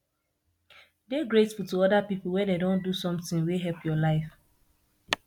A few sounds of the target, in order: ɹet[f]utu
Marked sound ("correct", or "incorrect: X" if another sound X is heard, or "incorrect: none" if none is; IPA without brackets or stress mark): correct